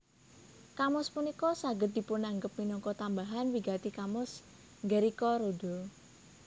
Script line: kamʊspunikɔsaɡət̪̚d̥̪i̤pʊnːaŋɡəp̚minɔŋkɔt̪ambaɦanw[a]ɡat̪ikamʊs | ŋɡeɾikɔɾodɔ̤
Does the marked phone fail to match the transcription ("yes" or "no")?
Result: yes